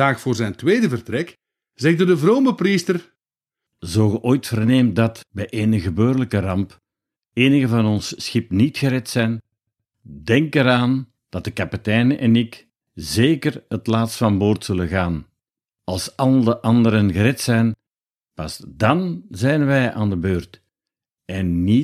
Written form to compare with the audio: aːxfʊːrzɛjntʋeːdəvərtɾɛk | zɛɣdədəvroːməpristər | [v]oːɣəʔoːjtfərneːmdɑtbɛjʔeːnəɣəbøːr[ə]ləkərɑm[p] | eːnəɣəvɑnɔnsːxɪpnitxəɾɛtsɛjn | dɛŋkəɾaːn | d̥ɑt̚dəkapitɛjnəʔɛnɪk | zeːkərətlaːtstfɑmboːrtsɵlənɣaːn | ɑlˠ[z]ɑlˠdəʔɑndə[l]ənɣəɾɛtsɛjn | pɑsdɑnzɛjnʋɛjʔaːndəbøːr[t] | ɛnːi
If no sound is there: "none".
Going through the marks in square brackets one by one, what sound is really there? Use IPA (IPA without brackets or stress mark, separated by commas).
z, ə, p, s, ɾ, t